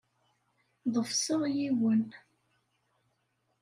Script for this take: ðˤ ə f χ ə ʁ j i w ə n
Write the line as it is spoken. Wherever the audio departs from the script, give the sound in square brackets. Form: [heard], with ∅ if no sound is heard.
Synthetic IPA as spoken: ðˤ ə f [s] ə ʁ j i w ə n